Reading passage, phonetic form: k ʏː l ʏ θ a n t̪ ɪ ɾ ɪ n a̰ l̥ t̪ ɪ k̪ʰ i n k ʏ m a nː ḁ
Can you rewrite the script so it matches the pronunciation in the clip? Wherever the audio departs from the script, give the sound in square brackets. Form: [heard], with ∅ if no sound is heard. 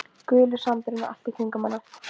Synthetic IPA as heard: k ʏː l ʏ [s] a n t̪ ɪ ɾ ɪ n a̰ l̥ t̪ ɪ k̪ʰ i [ŋ] k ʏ m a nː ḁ